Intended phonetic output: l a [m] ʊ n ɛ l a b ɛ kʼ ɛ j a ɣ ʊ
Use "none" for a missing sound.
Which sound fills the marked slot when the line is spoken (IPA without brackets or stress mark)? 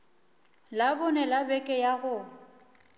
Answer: b